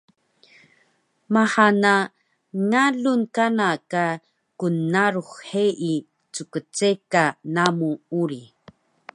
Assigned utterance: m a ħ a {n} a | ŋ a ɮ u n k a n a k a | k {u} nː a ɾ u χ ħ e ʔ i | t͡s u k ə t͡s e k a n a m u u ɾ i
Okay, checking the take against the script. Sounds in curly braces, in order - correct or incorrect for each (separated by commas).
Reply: correct, correct